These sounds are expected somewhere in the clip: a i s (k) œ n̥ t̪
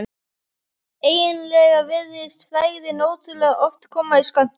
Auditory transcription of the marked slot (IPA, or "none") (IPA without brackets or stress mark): k